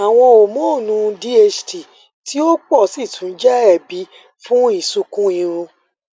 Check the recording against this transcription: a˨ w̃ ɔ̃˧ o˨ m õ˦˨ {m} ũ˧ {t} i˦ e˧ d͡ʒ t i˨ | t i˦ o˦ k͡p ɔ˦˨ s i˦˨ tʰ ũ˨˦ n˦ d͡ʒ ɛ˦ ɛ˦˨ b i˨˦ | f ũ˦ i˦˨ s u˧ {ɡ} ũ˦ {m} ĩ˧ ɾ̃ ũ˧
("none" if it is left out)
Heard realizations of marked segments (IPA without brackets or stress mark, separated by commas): n, d, k, none